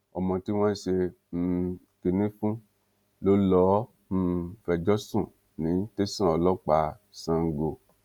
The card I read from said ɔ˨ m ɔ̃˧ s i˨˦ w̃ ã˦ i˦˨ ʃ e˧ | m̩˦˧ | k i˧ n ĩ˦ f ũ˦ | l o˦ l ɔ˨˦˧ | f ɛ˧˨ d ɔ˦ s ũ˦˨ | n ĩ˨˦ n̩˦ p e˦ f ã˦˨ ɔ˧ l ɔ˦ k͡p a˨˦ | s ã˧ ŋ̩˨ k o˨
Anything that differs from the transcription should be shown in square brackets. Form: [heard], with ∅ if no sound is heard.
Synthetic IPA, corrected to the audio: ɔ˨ m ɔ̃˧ [t] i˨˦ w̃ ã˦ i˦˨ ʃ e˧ | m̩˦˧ | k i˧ n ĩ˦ f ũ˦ | l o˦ l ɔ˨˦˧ | f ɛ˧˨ [d͡ʒ] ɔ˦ s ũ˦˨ | n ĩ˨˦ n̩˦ [t] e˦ [s] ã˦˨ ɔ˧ l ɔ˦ k͡p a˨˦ | s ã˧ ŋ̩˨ [ɡ] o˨

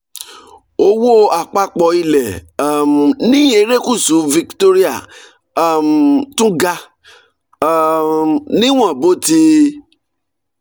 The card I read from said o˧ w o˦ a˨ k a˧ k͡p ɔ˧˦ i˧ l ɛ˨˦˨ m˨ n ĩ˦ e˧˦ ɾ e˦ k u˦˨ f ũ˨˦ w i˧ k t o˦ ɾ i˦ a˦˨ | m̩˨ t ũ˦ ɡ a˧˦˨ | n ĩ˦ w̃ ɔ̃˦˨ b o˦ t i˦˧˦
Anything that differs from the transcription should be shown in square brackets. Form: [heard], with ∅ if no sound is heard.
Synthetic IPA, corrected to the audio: o˧ w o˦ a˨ [k͡p] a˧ k͡p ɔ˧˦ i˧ l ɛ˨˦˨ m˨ n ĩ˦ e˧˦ ɾ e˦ k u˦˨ [s] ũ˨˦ [v] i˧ k t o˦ ɾ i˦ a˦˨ | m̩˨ t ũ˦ ɡ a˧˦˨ | n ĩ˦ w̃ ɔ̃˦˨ b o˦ t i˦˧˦

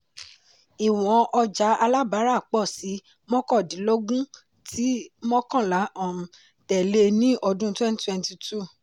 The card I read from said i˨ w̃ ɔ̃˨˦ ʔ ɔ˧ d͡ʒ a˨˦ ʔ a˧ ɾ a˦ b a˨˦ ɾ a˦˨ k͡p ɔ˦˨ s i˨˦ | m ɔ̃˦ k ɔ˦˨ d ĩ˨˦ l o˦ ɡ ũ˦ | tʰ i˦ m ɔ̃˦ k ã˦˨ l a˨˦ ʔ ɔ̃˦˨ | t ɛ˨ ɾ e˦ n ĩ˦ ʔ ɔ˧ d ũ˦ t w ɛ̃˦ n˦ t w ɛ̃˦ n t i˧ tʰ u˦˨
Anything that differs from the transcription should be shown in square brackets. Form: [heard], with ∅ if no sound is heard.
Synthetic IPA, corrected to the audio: i˨ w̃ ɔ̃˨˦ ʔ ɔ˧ d͡ʒ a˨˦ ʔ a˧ [l] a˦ b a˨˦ ɾ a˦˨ k͡p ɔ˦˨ s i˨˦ | m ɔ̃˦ k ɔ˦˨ d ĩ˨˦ l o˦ ɡ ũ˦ | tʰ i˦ m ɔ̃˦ k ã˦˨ l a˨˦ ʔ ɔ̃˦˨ | t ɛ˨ [l] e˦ n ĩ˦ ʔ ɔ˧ d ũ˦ t w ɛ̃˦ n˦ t w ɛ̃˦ n t i˧ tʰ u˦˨

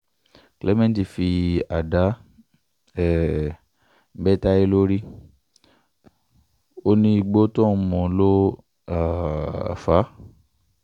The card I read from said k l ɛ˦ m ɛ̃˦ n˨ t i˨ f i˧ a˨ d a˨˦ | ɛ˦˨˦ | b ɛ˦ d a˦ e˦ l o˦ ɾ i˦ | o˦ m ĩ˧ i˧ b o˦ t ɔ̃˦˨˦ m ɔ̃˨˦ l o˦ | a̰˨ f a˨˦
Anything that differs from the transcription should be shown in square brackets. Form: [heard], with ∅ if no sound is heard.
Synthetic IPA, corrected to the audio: k l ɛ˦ m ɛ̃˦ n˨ t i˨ f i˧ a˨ d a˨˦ | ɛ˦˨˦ | b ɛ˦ [t] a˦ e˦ l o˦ ɾ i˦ | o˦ [n] ĩ˧ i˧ [ɡ͡b] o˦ t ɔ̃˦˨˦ m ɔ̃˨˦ l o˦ | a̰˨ f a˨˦

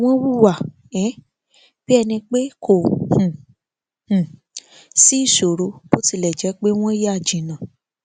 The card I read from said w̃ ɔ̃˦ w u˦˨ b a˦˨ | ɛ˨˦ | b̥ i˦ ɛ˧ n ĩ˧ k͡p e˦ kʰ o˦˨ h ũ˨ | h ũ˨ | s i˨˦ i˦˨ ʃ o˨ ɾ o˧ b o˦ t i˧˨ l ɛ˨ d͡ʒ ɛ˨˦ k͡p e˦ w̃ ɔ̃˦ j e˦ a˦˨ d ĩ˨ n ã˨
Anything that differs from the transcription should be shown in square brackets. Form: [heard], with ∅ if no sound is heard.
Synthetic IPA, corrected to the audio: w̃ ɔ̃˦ w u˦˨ [w] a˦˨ | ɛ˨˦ | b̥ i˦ ɛ˧ n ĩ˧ k͡p e˦ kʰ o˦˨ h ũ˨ | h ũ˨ | s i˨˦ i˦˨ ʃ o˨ ɾ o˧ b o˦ t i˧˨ l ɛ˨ d͡ʒ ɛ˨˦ k͡p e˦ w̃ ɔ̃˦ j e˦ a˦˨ [d͡ʒ] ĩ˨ n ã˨

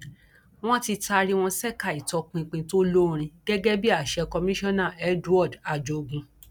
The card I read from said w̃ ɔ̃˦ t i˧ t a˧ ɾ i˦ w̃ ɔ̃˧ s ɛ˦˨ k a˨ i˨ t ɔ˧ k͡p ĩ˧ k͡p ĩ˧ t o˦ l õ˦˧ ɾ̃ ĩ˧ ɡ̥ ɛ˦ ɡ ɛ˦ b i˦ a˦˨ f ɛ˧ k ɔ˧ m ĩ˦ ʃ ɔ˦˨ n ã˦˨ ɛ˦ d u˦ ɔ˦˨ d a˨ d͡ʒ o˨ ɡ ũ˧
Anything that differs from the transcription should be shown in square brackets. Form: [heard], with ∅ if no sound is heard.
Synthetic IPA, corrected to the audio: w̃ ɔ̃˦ t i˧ t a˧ ɾ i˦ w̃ ɔ̃˧ s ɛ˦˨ k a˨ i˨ t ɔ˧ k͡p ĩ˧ k͡p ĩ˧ t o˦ l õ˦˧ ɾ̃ ĩ˧ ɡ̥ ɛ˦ ɡ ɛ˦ b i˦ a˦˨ [ʃ] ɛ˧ k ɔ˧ m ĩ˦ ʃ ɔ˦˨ n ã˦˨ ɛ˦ d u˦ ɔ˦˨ d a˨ d͡ʒ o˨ ɡ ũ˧

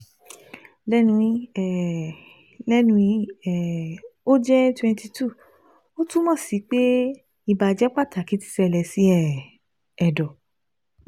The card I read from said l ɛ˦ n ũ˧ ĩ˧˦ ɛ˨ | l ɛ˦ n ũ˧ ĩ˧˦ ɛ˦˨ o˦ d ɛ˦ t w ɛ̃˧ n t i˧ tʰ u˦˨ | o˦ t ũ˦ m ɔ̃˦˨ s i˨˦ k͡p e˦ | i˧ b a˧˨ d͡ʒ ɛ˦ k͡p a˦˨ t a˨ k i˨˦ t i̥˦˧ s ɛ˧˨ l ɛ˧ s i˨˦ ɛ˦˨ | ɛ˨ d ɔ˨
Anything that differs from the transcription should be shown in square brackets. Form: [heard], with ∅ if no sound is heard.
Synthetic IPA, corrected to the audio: l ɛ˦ n ũ˧ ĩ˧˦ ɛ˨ | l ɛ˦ n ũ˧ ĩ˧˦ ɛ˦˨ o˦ [d͡ʒ] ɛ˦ t w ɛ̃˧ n t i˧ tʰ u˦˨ | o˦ t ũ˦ m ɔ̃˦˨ s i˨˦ k͡p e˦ | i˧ b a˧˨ d͡ʒ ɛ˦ k͡p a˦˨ t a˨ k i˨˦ t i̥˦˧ s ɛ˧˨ l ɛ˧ s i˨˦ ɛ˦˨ | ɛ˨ d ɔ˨

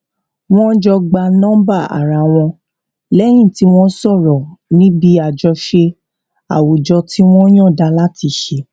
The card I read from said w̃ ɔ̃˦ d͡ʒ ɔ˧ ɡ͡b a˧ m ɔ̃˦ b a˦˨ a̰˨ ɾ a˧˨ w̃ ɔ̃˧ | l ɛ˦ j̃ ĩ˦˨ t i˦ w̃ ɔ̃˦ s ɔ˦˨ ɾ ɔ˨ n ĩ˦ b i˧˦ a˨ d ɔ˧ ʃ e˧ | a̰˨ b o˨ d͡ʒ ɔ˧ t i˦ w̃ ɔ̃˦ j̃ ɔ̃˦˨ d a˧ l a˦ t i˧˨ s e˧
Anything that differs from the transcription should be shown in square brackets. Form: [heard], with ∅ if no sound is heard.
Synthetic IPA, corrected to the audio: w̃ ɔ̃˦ d͡ʒ ɔ˧ ɡ͡b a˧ [n] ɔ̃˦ b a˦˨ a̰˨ ɾ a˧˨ w̃ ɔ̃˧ | l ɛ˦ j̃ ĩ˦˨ t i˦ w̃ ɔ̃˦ s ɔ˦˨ ɾ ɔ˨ n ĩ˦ b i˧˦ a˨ [d͡ʒ] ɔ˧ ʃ e˧ | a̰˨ [w] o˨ d͡ʒ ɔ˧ t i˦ w̃ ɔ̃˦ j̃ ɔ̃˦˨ d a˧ l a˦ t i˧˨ [ʃ] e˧

